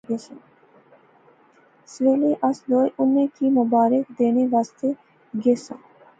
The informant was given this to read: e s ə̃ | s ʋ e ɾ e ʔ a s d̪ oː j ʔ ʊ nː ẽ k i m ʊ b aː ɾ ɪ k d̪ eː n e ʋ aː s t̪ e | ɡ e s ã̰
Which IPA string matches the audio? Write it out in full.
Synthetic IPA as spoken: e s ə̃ | s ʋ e l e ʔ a s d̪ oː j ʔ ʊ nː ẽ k i m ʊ b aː ɾ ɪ k d̪ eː n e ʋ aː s t̪ e | ɡ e s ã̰

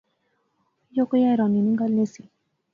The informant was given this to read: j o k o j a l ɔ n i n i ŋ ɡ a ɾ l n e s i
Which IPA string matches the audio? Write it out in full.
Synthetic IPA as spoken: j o k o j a ɾ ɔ n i n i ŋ ɡ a l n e s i

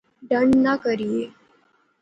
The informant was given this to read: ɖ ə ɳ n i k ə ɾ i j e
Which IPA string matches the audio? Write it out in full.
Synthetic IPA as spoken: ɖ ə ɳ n a k ə ɾ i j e

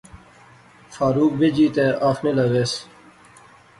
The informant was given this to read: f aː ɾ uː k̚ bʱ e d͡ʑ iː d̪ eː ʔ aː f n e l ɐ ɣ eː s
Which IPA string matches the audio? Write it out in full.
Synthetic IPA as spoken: f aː ɾ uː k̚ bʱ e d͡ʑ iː t̪ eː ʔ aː f n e l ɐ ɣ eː s

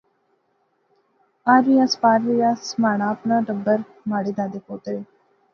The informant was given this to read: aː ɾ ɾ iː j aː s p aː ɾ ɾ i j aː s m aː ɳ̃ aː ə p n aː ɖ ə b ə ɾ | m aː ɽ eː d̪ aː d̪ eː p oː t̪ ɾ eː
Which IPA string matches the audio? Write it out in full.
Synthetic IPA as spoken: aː ɾ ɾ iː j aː s p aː ɾ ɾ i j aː s m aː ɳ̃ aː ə p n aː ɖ ə b ə ɾ | m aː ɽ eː d̪ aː d̪ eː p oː t̪ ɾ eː

